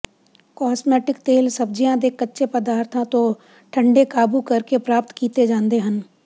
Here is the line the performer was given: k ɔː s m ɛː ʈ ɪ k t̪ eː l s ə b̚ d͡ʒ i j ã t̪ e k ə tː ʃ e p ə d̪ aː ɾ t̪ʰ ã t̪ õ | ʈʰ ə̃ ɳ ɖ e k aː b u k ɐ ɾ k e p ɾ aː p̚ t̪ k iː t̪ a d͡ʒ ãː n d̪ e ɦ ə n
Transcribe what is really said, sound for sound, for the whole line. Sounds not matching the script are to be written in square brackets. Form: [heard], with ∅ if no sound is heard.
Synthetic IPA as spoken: k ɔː s m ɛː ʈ ɪ k t̪ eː l s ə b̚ d͡ʒ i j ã [d̪] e k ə tː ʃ e p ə d̪ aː ɾ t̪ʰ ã t̪ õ | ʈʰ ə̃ ɳ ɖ e k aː b u k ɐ ɾ k e p ɾ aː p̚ t̪ k iː t̪ [e] d͡ʒ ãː n d̪ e ɦ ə n